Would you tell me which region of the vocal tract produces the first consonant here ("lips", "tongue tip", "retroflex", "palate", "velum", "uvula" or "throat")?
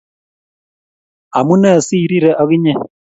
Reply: lips